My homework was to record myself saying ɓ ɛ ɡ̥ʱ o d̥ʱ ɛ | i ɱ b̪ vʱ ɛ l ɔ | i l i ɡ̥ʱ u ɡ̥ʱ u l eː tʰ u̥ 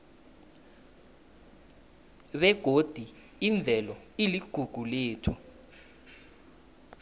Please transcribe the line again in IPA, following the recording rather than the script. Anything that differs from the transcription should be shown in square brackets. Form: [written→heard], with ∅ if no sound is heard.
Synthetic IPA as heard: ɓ ɛ ɡ̥ʱ o d̥ʱ [ɛ→i] | i ɱ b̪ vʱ ɛ l ɔ | i l i ɡ̥ʱ u ɡ̥ʱ u l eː tʰ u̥